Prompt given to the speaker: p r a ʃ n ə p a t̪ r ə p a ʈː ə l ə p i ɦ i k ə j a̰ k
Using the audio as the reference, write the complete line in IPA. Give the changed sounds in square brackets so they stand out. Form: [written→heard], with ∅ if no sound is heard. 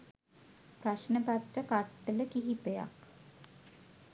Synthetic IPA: p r a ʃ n ə p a t̪ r ə [p→k] a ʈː ə l ə [p→k] i ɦ i [k→p] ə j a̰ k